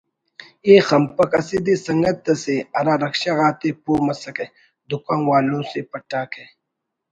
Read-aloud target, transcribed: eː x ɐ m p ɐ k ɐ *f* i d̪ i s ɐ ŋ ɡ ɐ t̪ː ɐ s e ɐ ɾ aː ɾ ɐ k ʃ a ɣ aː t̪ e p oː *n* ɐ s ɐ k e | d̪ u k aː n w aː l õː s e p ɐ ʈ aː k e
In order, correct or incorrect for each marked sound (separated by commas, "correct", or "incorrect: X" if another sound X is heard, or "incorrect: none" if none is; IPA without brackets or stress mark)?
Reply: incorrect: s, incorrect: m